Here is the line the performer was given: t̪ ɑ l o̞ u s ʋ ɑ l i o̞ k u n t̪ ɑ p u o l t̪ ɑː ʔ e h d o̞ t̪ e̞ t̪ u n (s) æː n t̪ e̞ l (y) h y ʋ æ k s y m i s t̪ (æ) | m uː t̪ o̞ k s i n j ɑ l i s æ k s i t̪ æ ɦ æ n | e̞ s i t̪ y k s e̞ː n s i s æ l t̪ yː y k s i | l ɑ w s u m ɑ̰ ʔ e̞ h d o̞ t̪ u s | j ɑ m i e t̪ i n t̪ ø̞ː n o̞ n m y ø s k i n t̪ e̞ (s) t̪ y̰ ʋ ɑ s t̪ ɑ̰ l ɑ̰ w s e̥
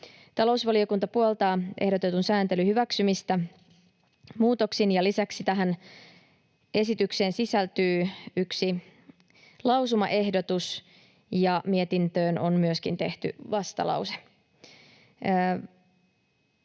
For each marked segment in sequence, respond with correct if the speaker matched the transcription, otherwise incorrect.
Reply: correct, correct, correct, incorrect: h

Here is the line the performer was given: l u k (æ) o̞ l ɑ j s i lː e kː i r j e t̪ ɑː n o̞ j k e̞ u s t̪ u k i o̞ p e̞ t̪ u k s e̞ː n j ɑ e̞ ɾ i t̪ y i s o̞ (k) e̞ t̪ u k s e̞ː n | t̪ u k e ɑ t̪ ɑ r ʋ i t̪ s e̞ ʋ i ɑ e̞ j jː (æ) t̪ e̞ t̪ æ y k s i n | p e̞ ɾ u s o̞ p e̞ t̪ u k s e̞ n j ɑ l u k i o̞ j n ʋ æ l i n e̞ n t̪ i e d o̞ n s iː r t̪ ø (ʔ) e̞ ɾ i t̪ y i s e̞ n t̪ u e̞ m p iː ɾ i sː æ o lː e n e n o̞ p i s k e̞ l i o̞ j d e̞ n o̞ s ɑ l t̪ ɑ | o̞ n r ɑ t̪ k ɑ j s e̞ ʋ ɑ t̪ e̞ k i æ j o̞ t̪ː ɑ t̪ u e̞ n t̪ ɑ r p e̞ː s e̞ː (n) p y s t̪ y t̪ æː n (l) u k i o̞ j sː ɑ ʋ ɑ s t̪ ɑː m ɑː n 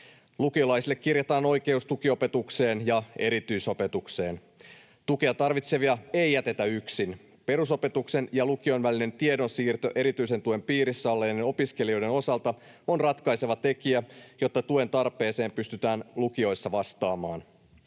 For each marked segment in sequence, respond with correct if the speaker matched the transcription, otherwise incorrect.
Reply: incorrect: i, incorrect: p, correct, correct, incorrect: m, correct

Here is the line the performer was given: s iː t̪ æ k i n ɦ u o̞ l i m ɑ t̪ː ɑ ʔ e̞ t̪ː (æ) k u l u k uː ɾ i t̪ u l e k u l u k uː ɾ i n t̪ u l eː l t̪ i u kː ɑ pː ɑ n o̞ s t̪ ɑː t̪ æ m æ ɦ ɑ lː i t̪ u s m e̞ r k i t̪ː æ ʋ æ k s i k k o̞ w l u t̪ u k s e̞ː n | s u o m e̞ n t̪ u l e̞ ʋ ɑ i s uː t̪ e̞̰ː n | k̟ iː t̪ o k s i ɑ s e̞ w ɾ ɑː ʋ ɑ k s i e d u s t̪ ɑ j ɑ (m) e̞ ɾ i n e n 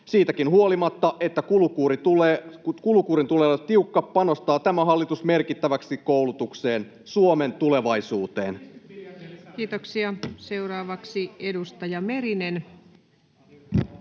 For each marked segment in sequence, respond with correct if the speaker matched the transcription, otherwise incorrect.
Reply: correct, correct

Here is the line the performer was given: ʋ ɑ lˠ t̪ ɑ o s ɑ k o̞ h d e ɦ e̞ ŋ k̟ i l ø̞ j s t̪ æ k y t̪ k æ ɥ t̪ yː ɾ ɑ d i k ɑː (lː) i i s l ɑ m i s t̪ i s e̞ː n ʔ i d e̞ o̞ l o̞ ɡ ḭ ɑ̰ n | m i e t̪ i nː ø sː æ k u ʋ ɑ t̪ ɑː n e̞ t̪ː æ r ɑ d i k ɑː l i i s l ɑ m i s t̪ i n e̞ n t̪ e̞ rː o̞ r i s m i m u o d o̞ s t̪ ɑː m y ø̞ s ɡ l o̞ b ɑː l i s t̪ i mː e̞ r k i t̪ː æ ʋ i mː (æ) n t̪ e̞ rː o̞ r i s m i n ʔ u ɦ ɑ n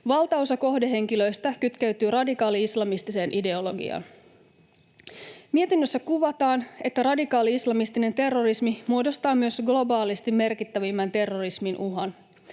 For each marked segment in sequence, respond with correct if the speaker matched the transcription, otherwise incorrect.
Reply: incorrect: l, correct

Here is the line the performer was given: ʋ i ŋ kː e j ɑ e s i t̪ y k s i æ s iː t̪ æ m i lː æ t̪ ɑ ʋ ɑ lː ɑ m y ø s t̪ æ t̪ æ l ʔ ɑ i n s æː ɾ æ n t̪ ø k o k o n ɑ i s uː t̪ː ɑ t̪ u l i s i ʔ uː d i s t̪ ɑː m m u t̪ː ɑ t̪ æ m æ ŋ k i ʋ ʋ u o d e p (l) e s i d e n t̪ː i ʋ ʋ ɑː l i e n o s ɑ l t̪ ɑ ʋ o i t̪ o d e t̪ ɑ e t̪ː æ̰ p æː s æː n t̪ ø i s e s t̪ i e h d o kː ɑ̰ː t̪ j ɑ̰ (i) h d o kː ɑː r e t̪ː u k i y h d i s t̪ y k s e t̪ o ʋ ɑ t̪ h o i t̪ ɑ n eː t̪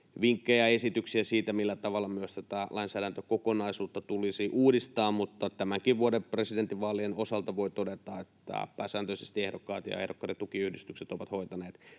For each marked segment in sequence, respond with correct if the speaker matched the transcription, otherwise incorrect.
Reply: incorrect: r, incorrect: e

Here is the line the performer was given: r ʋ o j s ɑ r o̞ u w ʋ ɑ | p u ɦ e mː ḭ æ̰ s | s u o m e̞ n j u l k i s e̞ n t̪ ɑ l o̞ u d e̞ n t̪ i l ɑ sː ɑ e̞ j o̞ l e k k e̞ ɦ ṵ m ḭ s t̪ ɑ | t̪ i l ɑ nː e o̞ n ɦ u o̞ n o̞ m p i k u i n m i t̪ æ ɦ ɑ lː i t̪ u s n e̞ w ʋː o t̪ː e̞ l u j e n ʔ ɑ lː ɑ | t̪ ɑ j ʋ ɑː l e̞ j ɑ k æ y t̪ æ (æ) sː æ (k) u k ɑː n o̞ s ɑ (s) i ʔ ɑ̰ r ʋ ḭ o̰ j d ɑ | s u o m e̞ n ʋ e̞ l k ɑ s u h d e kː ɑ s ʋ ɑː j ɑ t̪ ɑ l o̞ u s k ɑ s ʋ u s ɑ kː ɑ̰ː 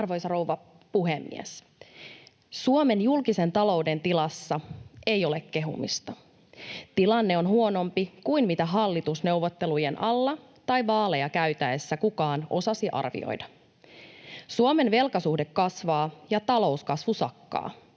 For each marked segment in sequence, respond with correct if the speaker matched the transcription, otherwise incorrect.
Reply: incorrect: e, correct, correct

